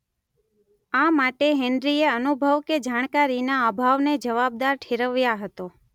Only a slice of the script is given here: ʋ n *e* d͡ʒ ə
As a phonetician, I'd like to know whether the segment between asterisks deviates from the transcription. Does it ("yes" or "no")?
no